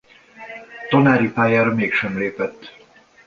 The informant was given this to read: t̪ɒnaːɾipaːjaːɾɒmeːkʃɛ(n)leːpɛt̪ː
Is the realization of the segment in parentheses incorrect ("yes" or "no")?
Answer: yes